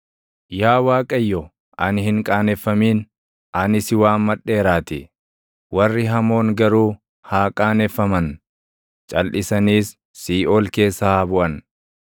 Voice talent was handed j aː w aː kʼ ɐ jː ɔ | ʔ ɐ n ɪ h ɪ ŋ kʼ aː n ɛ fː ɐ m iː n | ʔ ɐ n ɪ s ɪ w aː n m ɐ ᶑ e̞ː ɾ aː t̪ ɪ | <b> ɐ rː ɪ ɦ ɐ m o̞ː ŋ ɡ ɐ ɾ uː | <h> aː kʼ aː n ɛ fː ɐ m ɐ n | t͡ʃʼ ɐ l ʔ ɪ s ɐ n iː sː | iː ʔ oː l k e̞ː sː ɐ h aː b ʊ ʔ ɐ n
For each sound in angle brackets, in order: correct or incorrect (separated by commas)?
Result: incorrect, correct